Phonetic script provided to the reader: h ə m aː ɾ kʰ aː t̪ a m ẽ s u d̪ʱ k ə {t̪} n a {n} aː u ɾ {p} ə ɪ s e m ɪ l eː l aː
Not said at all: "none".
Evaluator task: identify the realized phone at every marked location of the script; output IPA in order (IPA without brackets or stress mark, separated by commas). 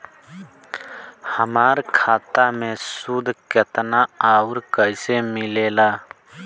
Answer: t̪, none, k